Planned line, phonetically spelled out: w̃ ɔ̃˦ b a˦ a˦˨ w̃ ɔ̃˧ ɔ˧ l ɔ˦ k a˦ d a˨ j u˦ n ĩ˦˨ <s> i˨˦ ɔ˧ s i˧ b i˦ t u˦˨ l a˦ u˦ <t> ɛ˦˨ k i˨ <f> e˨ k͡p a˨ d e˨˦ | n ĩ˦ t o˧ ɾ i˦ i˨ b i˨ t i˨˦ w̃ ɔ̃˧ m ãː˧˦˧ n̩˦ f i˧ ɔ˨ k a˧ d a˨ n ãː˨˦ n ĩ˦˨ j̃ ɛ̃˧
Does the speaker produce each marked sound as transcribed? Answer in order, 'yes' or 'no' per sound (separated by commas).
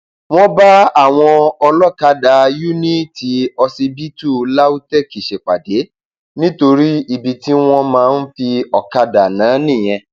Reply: no, yes, no